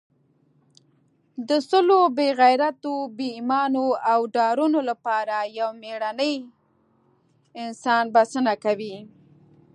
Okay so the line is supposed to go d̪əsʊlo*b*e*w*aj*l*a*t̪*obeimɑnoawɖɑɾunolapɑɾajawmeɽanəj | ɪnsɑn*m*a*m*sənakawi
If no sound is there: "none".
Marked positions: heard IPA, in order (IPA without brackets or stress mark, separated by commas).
b, ɣ, ɾ, t̪, b, none